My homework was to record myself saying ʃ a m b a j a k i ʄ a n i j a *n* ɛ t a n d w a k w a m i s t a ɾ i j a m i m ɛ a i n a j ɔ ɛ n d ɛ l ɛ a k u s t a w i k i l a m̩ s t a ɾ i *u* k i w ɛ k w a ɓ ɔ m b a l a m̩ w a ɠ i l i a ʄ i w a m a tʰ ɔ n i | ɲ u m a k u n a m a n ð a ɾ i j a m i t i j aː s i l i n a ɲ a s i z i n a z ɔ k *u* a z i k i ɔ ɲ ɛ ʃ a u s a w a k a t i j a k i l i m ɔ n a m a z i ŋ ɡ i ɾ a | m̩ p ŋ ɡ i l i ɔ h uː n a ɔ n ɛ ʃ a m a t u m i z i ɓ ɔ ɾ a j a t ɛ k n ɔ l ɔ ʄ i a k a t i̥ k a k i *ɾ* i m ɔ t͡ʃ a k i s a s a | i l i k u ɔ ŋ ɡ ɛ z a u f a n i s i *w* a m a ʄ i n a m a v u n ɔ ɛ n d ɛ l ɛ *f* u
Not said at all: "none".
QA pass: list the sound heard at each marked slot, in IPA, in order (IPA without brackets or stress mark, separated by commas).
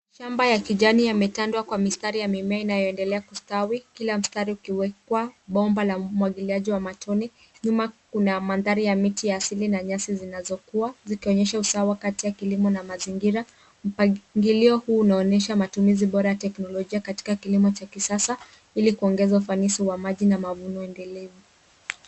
m, u, u, l, w, v